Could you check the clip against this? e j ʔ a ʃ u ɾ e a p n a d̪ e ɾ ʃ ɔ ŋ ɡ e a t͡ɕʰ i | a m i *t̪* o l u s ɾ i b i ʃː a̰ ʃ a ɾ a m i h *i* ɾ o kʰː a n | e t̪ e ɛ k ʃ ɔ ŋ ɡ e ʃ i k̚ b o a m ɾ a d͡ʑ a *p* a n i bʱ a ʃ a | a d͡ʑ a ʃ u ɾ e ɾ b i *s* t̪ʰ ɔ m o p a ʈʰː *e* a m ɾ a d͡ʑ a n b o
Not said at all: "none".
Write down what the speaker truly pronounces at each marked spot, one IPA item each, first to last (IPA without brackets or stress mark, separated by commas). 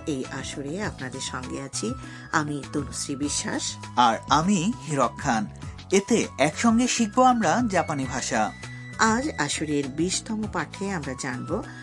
t̪, i, p, ʃ, e